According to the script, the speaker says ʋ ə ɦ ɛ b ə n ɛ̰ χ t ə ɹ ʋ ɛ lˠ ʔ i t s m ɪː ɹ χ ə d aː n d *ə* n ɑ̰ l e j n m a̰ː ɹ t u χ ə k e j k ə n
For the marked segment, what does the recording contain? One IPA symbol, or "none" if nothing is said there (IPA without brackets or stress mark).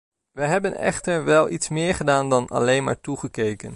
ɑ